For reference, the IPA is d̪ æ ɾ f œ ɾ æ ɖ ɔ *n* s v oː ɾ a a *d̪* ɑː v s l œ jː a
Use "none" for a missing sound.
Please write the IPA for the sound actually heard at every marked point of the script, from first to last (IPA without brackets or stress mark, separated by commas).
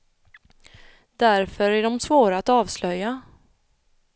m, t̪